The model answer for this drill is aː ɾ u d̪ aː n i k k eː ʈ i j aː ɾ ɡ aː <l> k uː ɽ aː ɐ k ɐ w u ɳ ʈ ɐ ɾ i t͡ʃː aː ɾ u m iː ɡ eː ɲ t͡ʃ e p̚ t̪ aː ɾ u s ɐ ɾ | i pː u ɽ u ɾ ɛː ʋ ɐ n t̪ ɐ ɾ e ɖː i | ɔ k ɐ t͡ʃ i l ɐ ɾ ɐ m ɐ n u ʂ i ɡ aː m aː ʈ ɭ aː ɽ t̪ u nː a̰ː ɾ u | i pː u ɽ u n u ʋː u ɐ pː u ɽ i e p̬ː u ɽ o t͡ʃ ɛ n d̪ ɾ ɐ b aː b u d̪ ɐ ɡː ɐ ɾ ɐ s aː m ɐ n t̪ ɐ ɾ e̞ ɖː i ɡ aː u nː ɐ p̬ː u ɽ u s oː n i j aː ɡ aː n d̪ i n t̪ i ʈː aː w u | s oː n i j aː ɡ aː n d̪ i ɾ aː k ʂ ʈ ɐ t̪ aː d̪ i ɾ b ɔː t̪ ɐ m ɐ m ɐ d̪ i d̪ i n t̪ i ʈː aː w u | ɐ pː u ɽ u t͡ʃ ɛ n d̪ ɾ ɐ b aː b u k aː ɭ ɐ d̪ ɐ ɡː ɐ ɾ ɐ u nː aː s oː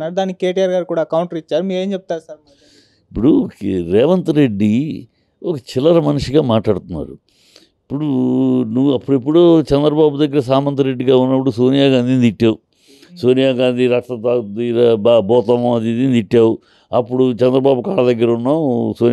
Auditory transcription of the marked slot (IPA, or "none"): ɾ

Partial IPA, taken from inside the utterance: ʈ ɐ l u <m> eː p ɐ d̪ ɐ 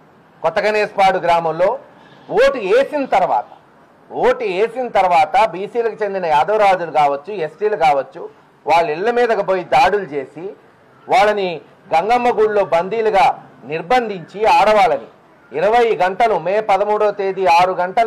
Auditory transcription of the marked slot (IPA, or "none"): m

